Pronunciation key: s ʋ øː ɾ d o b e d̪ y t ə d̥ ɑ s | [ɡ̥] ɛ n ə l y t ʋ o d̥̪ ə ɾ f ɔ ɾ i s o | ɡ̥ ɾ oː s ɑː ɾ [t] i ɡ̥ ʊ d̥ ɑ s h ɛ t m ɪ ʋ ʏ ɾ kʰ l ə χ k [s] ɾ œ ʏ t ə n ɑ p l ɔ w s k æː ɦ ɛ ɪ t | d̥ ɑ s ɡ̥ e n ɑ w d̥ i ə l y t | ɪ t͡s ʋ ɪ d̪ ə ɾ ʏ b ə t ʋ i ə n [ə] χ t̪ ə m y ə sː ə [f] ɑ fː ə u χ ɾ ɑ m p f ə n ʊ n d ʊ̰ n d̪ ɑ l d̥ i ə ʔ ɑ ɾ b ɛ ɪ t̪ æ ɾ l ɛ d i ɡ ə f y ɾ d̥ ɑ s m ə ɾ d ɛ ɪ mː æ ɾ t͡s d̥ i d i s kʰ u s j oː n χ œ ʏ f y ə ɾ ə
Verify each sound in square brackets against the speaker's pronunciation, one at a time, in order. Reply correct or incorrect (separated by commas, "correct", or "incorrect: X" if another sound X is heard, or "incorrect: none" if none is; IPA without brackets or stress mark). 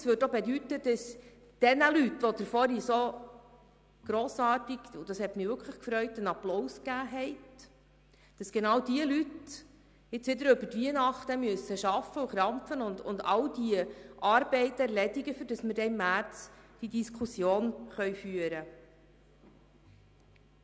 incorrect: d̥, correct, incorrect: f, incorrect: ɑ, incorrect: ʃ